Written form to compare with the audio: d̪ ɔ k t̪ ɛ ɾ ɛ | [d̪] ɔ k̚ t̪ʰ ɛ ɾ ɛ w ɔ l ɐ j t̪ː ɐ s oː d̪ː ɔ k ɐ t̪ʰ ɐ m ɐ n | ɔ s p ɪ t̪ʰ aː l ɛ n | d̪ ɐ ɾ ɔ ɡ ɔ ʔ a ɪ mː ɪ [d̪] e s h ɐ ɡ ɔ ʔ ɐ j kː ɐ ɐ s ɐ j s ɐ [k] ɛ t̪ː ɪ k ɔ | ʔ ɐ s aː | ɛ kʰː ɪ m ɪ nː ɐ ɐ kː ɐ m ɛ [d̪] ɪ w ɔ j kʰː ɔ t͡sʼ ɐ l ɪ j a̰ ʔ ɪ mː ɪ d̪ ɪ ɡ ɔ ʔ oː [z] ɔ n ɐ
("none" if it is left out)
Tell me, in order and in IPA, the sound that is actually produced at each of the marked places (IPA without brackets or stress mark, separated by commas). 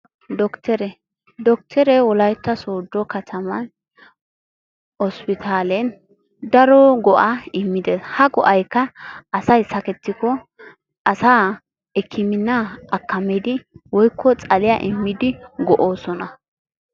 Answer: d̪, d̪, k, d̪, s